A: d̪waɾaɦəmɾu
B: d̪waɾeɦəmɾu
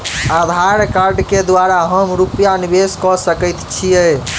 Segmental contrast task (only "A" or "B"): A